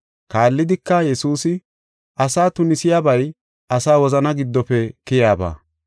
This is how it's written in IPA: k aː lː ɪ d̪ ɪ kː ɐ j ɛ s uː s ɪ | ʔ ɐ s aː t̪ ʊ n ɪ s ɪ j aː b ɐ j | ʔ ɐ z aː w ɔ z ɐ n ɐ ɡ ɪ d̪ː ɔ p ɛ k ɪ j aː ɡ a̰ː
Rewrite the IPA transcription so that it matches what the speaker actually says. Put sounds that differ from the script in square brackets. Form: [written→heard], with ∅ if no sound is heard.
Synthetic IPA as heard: k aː lː ɪ d̪ ɪ kː ɐ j ɛ s uː s ɪ | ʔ ɐ s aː t̪ ʊ n ɪ s ɪ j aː b ɐ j | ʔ ɐ [z→s] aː w ɔ z ɐ n ɐ ɡ ɪ d̪ː ɔ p ɛ k ɪ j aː [ɡ→b] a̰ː